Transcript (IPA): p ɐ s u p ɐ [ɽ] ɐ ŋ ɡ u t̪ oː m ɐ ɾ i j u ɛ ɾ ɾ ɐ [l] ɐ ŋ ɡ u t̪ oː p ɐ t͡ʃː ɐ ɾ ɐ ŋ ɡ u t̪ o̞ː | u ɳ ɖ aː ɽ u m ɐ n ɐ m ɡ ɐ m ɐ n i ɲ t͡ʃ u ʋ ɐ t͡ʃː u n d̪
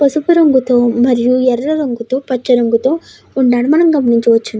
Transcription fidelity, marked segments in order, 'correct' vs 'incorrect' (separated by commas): incorrect, incorrect